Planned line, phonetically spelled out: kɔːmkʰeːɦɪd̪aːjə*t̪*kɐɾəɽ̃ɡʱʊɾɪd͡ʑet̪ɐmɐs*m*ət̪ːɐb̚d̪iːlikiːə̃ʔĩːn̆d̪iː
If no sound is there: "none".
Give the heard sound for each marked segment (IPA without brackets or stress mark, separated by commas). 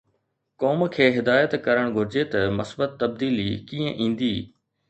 t̪, b